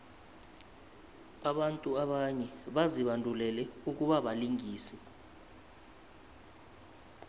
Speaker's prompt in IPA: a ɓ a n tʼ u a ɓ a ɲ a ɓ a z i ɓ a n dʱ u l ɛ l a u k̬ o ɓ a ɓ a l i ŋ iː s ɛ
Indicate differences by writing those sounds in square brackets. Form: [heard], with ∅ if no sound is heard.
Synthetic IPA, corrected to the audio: a ɓ a n tʼ u a ɓ a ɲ [ɛ] ɓ a z i ɓ a n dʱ u l ɛ l [ɛ] u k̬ [u] ɓ a ɓ a l i ŋ iː s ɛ